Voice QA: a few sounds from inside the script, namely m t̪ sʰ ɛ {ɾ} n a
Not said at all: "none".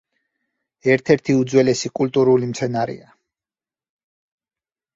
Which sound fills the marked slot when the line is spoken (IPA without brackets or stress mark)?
none